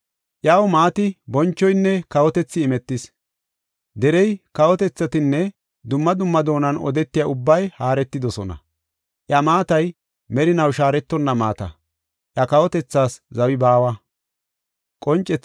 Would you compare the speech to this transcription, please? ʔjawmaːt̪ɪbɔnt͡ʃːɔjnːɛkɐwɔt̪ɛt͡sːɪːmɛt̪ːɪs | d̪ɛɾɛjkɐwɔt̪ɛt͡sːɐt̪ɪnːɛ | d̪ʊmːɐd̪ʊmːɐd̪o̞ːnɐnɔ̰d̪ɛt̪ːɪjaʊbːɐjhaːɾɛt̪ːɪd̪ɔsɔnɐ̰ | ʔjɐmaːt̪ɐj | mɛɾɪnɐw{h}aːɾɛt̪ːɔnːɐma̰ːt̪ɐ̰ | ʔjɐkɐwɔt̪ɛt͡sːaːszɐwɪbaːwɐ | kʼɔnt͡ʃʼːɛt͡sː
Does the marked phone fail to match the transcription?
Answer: yes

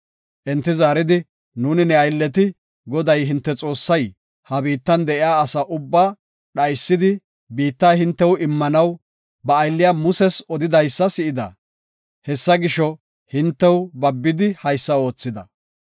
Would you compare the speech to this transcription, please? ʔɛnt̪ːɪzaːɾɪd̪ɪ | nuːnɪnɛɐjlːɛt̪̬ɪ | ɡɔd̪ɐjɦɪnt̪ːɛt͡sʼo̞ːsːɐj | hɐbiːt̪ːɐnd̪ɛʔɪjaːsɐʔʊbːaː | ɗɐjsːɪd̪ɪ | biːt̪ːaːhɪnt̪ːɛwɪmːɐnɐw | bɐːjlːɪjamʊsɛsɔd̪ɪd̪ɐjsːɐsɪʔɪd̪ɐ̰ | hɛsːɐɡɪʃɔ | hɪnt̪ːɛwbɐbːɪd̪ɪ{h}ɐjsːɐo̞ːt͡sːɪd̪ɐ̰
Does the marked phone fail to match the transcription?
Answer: no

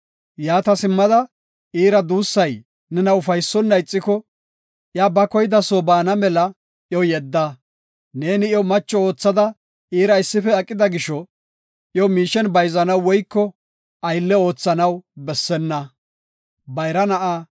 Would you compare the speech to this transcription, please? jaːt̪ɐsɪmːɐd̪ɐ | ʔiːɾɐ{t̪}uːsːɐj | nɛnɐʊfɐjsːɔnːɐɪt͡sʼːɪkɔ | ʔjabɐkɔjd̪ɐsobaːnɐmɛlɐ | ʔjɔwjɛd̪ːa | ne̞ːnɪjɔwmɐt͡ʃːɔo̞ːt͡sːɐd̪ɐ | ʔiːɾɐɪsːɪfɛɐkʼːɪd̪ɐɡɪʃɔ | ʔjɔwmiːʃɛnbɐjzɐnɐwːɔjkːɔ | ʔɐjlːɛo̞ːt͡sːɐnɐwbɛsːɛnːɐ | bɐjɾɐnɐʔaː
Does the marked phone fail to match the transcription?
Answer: yes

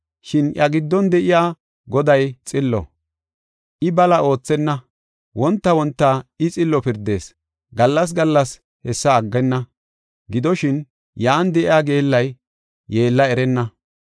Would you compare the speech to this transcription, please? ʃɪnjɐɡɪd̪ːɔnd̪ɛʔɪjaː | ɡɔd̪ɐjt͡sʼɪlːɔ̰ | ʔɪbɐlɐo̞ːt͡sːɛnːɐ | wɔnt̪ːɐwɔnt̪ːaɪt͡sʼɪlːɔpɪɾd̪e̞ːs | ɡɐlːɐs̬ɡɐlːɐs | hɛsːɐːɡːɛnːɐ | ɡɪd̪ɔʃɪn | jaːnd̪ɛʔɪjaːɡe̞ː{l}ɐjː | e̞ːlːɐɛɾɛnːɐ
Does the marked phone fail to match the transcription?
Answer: yes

